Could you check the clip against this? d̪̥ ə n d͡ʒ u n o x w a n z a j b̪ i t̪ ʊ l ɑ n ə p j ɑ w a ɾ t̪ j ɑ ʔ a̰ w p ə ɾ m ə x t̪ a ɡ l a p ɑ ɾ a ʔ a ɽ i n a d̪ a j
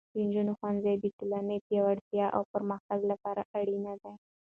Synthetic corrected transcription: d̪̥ ə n d͡ʒ u n o x w a n z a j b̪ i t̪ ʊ l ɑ n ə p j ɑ w a ɽ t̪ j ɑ ʔ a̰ w p ə ɾ m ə x t̪ a ɡ l a p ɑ ɾ a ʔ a ɽ i n a d̪ a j